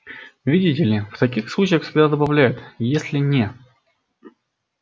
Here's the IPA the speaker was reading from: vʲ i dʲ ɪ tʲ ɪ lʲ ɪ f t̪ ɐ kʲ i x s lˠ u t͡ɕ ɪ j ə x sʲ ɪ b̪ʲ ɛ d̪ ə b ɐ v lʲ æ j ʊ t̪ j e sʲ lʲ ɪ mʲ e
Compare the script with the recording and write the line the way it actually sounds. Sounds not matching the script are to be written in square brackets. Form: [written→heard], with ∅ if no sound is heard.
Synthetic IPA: vʲ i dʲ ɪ tʲ ɪ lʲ ɪ f t̪ ɐ kʲ i x s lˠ u t͡ɕ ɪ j ə x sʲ ɪ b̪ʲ [ɛ→a] d̪ ə b ɐ v lʲ æ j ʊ t̪ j e sʲ lʲ ɪ [mʲ→nʲ] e